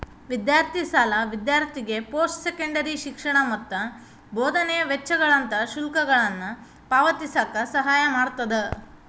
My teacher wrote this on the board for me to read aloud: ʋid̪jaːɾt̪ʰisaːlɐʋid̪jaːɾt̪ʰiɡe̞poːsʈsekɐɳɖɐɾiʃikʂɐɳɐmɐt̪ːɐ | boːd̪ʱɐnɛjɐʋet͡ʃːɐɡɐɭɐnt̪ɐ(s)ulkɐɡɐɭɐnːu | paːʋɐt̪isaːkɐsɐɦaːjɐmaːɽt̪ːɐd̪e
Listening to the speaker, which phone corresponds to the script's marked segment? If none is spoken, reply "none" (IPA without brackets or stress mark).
ʃ